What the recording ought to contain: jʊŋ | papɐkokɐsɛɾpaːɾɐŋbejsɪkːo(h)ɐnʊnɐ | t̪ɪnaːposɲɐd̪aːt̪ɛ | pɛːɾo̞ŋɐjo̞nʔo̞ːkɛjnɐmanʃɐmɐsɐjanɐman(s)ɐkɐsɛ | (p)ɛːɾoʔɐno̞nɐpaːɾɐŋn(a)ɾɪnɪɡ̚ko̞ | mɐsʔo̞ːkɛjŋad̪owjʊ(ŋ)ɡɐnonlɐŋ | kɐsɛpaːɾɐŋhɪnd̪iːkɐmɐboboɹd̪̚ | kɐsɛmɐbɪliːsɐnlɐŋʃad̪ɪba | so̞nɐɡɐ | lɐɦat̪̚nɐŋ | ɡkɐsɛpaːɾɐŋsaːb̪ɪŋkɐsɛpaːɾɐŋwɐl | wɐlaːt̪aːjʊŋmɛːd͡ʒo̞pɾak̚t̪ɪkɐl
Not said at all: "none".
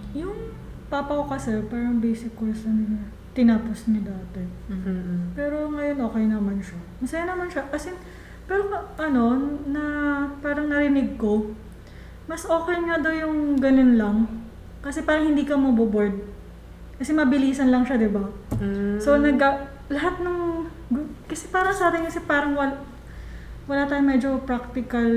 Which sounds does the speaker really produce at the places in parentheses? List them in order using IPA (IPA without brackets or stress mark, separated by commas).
s, ʃ, p, ɐ, ŋ